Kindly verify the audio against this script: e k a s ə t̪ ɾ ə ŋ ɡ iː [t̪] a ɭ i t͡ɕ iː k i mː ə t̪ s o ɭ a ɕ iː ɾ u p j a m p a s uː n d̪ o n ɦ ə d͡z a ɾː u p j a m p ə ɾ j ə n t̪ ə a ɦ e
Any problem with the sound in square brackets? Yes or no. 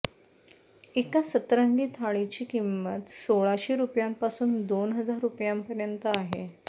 yes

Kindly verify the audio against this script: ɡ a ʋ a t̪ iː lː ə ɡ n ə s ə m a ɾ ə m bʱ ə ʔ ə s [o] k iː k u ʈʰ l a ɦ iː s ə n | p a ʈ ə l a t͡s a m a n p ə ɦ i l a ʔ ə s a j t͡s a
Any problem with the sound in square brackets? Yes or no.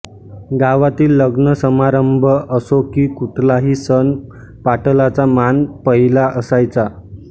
no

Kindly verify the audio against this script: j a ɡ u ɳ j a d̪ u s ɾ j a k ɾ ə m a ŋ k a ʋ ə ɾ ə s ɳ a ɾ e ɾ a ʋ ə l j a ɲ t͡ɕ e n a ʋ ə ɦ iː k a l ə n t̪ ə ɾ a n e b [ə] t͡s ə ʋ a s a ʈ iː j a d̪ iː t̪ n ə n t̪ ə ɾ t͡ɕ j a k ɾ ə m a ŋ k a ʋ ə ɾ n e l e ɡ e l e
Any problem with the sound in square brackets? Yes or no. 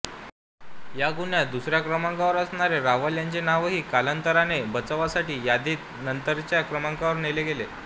no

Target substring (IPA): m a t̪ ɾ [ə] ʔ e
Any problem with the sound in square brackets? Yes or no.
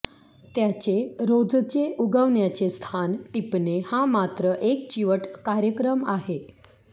no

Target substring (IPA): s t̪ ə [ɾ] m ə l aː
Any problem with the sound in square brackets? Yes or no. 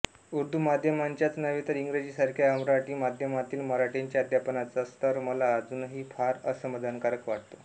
no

